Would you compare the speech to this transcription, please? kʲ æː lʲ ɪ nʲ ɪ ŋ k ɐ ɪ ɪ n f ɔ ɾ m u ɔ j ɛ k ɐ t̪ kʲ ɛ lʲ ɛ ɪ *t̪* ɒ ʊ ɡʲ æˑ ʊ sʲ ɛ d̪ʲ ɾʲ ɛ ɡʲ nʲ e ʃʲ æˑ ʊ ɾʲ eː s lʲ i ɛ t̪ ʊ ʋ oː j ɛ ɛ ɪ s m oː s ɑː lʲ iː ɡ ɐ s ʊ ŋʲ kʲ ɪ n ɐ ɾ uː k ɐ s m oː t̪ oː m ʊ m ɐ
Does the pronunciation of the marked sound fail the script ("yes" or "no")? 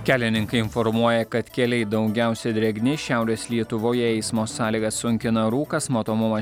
yes